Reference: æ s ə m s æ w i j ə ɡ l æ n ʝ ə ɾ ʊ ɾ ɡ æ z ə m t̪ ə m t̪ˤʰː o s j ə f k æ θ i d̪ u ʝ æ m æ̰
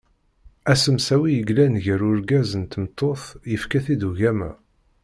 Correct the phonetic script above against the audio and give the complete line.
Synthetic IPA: æ s ə m s æ w i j ə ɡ l æ n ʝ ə ɾ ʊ ɾ ɡ æ z ə n t̪ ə m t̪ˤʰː o θ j ə f k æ θ i d̪ u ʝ æ m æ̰

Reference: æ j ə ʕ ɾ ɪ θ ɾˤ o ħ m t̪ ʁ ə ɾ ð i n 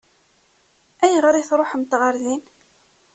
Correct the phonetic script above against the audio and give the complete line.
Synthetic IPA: æ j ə ʁ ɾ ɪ θ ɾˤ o ħ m t̪ ʁ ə ɾ ð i n

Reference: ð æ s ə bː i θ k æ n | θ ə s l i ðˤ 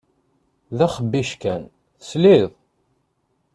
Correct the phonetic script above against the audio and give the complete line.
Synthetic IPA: ð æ χ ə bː i ʃ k æ n | θ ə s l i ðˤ

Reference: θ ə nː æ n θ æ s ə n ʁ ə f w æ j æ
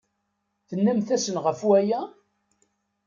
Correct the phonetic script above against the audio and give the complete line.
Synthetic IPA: θ ə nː æ m θ æ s ə n ʁ ə f w æ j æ

